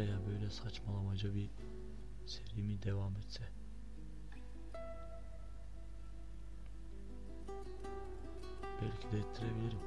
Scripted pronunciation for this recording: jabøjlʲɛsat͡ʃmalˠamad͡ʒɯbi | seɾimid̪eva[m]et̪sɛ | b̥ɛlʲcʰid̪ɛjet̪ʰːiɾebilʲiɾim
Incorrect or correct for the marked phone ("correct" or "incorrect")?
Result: correct